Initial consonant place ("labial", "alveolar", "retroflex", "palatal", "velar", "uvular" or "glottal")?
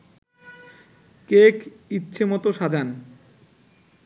velar